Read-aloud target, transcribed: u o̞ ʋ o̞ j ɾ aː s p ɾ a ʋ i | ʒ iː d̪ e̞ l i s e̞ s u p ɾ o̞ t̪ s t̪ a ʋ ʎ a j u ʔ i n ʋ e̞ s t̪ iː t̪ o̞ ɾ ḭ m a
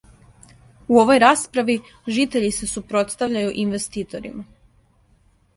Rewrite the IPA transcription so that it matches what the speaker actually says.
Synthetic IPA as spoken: u o̞ ʋ o̞ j ɾ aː s p ɾ a ʋ i | ʒ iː t̪ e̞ ʎ i s e̞ s u p ɾ o̞ t̪ s t̪ a ʋ ʎ a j u ʔ i n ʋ e̞ s t̪ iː t̪ o̞ ɾ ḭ m a